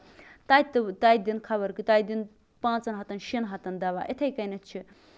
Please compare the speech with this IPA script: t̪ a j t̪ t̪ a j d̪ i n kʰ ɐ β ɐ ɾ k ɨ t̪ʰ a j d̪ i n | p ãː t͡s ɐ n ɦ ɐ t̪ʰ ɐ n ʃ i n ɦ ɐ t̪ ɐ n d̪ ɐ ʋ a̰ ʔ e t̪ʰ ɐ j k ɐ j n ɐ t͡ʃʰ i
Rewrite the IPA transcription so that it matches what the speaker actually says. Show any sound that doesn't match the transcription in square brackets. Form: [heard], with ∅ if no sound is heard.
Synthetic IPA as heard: t̪ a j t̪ t̪ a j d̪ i n kʰ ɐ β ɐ ɾ k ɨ [t̪] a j d̪ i n | p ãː t͡s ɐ n ɦ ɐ [t̪] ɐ n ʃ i n ɦ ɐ t̪ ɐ n d̪ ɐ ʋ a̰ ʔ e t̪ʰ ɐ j k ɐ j n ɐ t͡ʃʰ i